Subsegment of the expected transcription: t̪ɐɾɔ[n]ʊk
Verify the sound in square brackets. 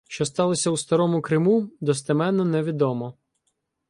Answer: incorrect: m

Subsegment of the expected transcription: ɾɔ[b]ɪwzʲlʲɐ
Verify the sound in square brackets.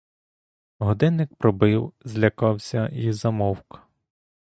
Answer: correct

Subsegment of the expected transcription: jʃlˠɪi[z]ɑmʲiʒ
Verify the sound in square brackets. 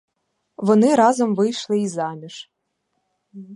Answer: correct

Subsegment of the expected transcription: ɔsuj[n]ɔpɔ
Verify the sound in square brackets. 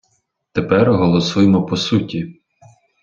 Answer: incorrect: m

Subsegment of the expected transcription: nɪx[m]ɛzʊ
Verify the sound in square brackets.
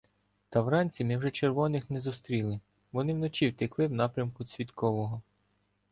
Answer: incorrect: n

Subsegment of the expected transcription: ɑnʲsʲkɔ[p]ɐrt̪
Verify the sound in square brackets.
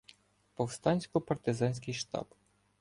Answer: correct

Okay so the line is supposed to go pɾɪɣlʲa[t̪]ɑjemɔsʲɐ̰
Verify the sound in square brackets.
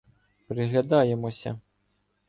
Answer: incorrect: d̪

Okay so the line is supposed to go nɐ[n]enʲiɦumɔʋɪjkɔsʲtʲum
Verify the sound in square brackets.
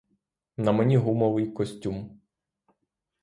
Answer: incorrect: m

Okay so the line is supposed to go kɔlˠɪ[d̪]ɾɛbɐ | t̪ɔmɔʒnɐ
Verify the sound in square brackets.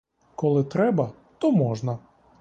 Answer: incorrect: t̪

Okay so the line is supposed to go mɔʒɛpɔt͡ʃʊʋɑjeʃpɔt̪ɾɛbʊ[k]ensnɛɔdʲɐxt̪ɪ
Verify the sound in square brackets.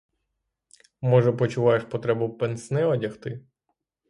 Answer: incorrect: p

